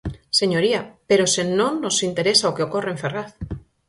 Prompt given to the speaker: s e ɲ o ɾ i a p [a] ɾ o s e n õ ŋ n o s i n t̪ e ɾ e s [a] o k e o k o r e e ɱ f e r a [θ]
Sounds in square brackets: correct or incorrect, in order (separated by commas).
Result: incorrect, correct, correct